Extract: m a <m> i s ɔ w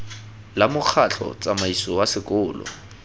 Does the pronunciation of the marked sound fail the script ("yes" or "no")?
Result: yes